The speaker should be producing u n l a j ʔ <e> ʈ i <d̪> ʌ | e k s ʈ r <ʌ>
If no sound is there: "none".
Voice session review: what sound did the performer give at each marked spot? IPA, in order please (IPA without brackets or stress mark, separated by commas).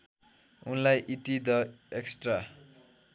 i, d̪, a